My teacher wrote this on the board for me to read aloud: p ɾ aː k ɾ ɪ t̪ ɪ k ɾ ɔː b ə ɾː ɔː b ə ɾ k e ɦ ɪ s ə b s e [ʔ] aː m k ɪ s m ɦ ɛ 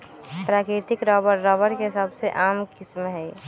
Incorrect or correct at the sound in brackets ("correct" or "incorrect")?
correct